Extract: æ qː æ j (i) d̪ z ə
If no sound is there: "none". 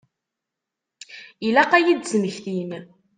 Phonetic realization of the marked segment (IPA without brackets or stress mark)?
i